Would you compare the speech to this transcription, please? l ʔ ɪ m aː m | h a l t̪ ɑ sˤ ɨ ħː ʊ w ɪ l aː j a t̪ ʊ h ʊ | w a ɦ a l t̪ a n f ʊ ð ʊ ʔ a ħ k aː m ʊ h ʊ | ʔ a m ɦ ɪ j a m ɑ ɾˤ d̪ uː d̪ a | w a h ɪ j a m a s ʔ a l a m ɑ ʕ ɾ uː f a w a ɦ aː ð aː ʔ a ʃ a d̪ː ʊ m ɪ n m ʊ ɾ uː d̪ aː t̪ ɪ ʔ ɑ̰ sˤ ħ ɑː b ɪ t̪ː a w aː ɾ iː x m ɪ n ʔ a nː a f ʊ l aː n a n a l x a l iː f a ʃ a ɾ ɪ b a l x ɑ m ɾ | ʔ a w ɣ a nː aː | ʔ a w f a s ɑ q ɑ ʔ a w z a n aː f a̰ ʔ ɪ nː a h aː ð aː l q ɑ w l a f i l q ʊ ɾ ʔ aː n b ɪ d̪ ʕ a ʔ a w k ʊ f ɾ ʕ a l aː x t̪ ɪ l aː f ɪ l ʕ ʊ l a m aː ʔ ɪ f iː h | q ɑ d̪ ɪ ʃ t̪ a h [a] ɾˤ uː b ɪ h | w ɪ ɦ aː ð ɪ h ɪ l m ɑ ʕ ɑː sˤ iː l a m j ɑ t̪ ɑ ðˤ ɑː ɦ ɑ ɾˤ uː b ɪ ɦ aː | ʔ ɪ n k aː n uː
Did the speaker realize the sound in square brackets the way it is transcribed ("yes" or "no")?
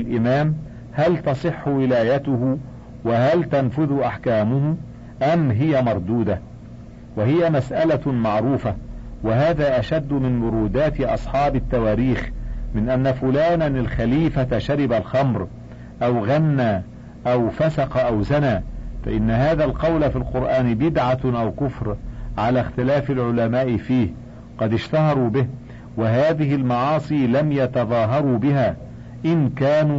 no